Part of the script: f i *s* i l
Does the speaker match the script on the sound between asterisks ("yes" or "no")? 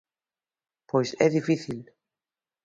no